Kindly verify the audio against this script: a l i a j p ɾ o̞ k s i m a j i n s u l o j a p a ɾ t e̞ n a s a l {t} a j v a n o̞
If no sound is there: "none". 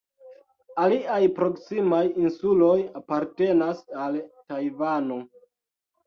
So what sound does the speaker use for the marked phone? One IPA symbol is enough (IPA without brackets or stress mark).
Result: t